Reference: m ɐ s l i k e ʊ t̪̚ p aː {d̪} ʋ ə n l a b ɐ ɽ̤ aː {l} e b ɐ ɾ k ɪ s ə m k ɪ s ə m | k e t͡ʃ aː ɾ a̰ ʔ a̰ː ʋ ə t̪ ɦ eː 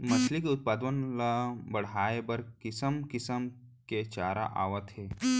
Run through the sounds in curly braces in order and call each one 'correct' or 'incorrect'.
correct, incorrect: none

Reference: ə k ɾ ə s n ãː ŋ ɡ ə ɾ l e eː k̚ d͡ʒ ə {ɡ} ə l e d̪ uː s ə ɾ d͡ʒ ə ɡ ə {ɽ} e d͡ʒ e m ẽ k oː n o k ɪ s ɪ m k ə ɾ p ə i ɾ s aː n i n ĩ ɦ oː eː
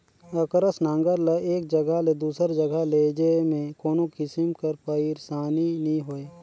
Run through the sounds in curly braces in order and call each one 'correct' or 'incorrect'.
correct, incorrect: l

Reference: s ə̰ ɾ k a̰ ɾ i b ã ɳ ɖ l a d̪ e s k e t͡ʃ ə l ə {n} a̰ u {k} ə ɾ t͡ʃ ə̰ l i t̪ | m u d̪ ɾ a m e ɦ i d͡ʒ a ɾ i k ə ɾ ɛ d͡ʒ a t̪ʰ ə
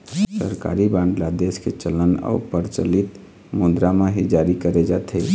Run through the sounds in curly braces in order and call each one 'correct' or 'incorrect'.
correct, incorrect: p

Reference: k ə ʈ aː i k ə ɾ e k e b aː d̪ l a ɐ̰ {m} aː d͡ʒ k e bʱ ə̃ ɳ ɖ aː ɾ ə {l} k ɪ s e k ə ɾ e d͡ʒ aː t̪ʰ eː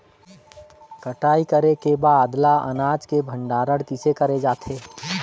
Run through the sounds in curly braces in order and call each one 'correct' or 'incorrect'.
incorrect: n, incorrect: ɽ

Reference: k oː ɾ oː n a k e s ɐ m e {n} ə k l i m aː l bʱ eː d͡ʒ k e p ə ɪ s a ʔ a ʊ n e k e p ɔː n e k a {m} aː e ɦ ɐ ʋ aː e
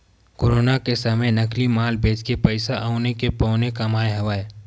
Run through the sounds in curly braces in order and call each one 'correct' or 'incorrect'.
correct, correct

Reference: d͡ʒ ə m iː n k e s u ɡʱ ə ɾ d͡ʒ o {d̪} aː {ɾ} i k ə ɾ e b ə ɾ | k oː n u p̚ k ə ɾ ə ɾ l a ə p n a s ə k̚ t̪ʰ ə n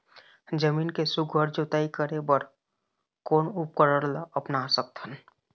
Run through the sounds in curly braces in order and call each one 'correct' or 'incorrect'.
incorrect: t̪, incorrect: none

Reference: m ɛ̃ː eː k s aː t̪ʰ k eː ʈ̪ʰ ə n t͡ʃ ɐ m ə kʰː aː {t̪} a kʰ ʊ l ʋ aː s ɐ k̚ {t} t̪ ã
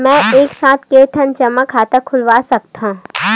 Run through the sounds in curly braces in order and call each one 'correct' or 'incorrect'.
correct, correct

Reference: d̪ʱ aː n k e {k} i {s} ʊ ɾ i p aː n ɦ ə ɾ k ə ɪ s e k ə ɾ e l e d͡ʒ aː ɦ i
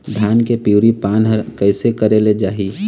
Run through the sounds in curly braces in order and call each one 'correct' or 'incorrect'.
incorrect: p, incorrect: none

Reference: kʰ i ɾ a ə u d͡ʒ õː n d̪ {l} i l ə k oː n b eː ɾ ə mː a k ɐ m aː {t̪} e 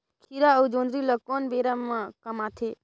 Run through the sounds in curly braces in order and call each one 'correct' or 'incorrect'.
incorrect: ɾ, incorrect: t̪ʰ

